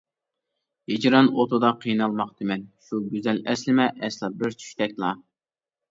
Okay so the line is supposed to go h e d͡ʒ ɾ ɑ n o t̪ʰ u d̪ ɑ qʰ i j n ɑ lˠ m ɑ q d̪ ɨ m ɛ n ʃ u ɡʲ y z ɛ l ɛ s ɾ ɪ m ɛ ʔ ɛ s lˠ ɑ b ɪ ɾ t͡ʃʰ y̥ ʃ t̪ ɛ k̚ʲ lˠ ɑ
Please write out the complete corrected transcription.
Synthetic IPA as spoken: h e d͡ʒ ɾ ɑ n o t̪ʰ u d̪ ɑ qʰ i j n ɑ lˠ m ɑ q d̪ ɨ m ɛ n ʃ u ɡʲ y z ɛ l ɛ s l ɪ m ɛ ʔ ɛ s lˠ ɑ b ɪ ɾ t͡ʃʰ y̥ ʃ t̪ ɛ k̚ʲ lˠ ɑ